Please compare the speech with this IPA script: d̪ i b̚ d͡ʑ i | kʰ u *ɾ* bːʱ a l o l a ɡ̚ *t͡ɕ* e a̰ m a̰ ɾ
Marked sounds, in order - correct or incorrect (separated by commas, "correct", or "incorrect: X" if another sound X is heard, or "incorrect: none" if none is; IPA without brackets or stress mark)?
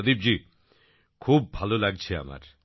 incorrect: none, incorrect: t͡ɕʰ